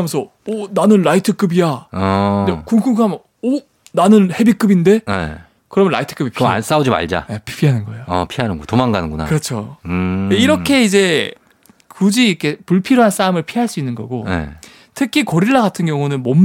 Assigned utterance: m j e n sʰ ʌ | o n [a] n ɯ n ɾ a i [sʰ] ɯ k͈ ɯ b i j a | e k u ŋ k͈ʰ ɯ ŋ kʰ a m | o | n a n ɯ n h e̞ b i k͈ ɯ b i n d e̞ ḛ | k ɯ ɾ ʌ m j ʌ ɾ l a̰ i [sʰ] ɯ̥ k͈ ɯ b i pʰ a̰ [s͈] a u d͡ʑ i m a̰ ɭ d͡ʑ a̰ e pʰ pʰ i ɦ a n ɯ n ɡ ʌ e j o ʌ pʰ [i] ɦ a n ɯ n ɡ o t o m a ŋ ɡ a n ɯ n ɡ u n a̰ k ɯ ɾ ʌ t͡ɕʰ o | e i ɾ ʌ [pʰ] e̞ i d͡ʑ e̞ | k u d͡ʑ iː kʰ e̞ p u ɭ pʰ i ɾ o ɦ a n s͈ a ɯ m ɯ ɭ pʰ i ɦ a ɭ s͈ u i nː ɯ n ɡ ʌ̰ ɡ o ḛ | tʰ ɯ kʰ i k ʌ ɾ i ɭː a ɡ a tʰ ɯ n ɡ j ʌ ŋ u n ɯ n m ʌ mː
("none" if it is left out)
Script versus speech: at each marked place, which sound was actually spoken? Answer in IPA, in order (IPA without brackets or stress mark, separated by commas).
a, tʰ, tʰ, s͈, i, kʰ